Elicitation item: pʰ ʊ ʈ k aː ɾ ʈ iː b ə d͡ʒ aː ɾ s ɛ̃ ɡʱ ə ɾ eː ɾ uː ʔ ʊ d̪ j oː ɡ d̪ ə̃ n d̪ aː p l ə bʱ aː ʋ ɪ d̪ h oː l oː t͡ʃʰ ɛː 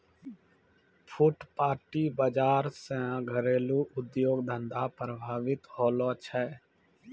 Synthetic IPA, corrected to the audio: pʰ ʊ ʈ p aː ɾ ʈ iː b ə d͡ʒ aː ɾ s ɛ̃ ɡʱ ə ɾ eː l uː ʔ ʊ d̪ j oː ɡ d̪ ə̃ n d̪ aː p ɾ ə bʱ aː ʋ ɪ t̪ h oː l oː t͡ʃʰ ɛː